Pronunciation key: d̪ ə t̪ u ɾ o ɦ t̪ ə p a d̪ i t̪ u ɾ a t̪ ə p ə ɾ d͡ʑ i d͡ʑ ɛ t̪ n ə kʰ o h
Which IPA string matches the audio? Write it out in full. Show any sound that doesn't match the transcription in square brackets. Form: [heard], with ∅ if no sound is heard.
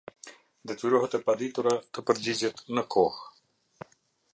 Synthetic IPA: d̪ ə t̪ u ɾ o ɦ t̪ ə p a d̪ i t̪ u ɾ a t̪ ə p ə ɾ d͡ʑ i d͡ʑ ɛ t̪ n ə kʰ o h